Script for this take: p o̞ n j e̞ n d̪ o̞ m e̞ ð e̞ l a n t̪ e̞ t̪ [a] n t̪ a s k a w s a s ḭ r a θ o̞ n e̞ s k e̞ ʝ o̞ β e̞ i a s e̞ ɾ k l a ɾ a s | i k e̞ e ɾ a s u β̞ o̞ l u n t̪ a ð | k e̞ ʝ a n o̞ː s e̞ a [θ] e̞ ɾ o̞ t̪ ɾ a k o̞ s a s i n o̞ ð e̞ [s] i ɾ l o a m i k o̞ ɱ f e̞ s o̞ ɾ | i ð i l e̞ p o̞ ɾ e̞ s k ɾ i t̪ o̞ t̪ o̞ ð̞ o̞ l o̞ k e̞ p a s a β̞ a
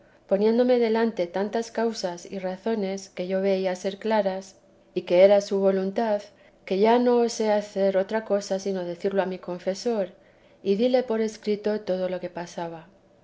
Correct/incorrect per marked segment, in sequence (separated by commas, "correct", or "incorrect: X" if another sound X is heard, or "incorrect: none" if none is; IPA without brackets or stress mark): correct, correct, incorrect: θ